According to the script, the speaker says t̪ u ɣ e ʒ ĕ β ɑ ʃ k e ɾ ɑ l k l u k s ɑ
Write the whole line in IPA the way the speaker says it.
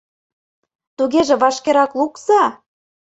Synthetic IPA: t̪ u ɣ e ʒ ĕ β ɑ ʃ k e ɾ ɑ k l u k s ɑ